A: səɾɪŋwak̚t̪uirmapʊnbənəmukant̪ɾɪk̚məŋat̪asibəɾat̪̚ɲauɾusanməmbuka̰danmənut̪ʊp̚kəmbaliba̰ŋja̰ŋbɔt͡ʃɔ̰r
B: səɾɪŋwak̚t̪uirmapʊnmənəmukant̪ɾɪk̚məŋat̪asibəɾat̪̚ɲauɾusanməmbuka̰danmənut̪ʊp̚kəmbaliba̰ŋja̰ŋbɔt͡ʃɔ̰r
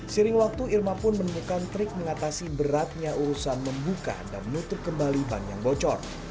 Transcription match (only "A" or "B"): B